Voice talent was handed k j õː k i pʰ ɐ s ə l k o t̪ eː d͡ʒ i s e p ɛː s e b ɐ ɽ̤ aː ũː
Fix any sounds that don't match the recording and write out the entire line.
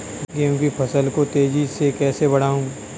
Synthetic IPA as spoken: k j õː k i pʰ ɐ s ə l k o t̪ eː d͡ʒ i s e k ɛː s e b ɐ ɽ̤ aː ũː

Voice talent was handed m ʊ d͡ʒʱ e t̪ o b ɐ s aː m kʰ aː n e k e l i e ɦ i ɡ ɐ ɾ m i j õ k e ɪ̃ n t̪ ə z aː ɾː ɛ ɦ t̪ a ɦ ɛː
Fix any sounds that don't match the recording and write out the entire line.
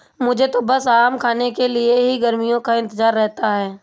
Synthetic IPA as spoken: m ʊ d͡ʒʱ e t̪ o b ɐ s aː m kʰ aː n e k e l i e ɦ i ɡ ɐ ɾ m i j õ k a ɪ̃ n t̪ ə z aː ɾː ɛ ɦ t̪ a ɦ ɛː

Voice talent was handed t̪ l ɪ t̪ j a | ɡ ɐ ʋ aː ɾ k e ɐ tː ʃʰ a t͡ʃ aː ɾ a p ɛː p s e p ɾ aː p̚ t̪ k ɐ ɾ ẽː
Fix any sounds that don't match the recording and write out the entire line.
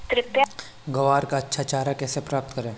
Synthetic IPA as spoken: t̪ ɾ ɪ t̪ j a | ɡ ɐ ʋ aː ɾ k a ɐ tː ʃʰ a t͡ʃ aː ɾ a k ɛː s e p ɾ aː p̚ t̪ k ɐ ɾ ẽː

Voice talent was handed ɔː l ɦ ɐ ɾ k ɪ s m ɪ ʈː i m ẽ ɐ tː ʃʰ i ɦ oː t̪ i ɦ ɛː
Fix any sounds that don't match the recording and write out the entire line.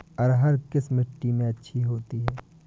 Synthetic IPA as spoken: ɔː ɾ ɦ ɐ ɾ k ɪ s m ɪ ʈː i m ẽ ɐ tː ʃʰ i ɦ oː t̪ i ɦ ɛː

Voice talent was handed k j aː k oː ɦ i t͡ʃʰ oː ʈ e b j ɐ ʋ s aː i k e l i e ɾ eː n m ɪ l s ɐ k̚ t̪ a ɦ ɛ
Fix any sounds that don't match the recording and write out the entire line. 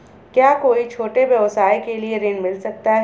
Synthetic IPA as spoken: k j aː k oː i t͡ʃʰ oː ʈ e b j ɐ ʋ s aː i k e l i e ɾ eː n m ɪ l s ɐ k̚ t̪ a ɦ ɛ

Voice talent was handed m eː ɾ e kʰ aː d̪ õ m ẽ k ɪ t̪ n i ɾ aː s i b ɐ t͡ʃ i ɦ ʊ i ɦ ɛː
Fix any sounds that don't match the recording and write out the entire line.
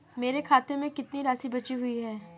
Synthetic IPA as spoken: m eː ɾ e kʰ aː t̪ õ m ẽ k ɪ t̪ n i ɾ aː s i b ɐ t͡ʃ i ɦ ʊ i ɦ ɛː

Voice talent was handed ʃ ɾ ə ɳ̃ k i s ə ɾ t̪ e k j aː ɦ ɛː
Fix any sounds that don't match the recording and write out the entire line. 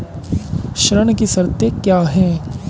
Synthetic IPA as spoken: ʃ ɾ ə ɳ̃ k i s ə ɾ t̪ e k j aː ɦ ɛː

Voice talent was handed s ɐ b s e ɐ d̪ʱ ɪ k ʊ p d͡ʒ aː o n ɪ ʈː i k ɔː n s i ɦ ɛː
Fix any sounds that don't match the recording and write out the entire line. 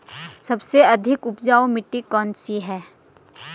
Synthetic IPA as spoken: s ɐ b s e ɐ d̪ʱ ɪ k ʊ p d͡ʒ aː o m ɪ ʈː i k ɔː n s i ɦ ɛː

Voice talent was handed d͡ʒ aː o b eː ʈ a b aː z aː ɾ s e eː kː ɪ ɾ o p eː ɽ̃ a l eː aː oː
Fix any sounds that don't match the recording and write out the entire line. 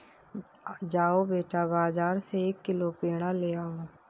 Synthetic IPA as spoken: d͡ʒ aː o b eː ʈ a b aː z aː ɾ s e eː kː ɪ l o p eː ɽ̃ a l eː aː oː

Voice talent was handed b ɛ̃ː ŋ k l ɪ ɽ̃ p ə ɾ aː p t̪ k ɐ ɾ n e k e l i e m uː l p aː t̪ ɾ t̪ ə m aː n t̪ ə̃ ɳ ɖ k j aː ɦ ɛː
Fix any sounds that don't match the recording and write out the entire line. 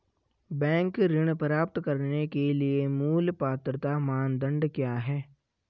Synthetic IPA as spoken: b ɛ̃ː ŋ k ɾ ɪ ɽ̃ p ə ɾ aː p t̪ k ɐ ɾ n e k e l i e m uː l p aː t̪ ɾ t̪ a m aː n d̪ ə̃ ɳ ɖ k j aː ɦ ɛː

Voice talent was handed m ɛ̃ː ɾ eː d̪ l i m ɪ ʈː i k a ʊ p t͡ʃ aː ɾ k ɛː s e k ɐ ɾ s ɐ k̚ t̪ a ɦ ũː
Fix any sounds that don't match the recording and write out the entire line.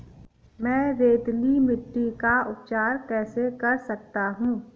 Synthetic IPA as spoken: m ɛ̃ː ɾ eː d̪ l i m ɪ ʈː i k a ʊ p t͡ʃ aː ɾ k ɛː s e k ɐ ɾ s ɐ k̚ t̪ a ɦ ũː

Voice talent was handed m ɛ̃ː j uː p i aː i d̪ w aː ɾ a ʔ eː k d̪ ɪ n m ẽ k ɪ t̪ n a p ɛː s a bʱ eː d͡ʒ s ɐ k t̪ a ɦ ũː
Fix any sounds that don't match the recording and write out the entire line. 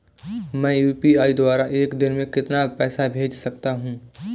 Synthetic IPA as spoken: m ɛ̃ː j uː p i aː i d̪ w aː ɾ a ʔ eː k d̪ ɪ n m ẽ k ɪ t̪ n a p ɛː s a bʱ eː d͡ʒ s ɐ k t̪ a ɦ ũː

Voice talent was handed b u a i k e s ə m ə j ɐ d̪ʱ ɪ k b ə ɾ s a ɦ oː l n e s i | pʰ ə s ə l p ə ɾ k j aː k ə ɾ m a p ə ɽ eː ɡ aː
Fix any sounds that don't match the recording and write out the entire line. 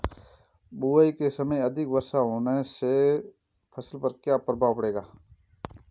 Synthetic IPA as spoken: b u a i k e s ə m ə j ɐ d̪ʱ ɪ k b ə ɾ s a ɦ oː n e s e | pʰ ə s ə l p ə ɾ k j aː p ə ɾ b a p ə ɽ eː ɡ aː

